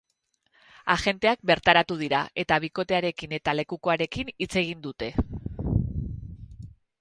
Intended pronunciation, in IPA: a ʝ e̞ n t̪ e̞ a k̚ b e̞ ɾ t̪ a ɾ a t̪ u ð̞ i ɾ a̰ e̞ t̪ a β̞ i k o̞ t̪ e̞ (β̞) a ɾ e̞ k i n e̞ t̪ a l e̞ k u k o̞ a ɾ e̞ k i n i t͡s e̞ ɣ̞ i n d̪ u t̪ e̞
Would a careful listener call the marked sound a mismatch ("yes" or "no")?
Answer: yes